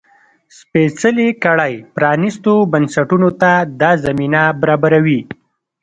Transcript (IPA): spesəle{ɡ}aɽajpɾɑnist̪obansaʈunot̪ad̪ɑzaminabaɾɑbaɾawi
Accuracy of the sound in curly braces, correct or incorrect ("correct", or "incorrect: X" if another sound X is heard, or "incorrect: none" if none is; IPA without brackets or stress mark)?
incorrect: k